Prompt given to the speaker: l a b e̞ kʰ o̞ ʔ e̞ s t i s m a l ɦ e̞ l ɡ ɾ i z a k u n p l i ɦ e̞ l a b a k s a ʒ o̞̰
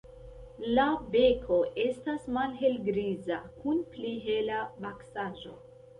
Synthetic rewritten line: l a b e̞ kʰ o̞ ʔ e̞ s t a s m a l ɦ e̞ l ɡ ɾ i z a k u n p l i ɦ e̞ l a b a k s a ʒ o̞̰